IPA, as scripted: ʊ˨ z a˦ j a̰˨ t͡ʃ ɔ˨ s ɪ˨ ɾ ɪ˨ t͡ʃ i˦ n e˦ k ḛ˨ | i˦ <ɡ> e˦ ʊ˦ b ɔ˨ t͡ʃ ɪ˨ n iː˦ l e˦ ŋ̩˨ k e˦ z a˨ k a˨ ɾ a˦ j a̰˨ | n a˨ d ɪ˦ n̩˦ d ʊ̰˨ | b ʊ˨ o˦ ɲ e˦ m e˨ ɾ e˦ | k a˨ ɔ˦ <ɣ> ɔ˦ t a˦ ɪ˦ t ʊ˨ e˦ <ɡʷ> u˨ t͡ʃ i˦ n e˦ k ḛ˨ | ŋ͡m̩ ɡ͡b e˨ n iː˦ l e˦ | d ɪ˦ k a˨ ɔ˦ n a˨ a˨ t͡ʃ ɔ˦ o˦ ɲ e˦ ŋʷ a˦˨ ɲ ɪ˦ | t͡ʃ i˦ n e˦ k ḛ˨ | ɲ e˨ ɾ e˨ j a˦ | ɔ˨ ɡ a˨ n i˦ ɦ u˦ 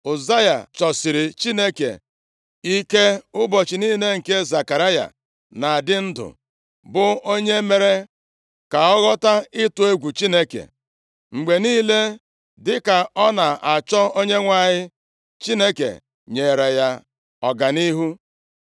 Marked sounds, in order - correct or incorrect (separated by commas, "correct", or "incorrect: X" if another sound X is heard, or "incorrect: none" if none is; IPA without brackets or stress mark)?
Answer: incorrect: k, correct, correct